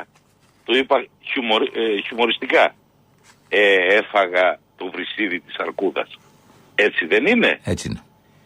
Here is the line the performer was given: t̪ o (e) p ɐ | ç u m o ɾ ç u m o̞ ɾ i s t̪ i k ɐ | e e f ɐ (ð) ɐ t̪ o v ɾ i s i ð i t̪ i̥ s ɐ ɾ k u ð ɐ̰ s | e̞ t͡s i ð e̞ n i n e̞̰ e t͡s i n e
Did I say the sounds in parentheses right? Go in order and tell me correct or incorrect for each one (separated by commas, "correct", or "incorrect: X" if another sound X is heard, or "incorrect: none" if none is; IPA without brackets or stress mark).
incorrect: i, incorrect: ɣ